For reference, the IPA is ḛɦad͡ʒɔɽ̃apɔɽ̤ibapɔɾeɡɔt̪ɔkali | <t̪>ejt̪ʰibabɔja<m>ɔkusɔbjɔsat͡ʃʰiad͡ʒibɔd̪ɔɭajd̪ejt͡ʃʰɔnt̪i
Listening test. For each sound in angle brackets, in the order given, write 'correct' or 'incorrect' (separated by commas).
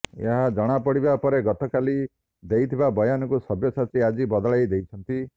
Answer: incorrect, incorrect